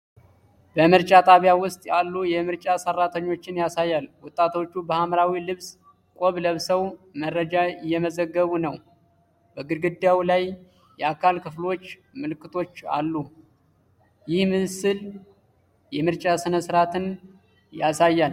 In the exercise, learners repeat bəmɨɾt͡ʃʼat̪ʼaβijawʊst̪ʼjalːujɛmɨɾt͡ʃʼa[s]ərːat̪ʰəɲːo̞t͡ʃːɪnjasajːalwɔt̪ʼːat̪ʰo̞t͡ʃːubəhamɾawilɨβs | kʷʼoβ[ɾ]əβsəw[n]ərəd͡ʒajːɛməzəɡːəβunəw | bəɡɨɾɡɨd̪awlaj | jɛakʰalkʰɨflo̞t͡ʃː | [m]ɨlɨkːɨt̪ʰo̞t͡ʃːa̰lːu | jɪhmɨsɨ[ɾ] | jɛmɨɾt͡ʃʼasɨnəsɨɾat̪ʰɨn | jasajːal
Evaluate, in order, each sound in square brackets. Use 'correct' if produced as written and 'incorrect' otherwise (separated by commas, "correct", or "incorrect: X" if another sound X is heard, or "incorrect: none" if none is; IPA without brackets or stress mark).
correct, incorrect: l, incorrect: m, correct, incorrect: l